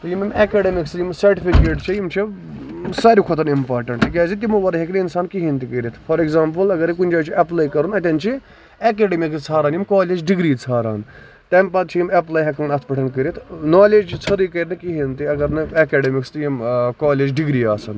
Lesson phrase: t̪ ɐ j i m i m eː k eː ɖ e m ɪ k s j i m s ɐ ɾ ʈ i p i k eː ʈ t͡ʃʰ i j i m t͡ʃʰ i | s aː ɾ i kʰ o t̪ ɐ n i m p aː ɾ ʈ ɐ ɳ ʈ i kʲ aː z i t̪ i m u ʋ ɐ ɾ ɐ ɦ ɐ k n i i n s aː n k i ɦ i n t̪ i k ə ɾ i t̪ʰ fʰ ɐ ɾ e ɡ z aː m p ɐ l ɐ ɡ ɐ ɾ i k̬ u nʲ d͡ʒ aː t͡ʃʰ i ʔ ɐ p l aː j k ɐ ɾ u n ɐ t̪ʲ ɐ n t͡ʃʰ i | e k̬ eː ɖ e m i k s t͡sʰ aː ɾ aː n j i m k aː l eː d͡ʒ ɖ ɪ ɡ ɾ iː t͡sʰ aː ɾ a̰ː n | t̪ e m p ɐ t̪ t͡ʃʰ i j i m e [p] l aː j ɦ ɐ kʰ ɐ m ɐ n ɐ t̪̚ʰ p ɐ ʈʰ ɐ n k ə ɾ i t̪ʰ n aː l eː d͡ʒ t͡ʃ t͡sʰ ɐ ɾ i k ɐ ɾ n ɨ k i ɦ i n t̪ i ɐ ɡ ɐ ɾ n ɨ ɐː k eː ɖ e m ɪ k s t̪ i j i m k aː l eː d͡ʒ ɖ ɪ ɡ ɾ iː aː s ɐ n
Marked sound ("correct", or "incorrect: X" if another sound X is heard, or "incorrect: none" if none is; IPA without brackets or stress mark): correct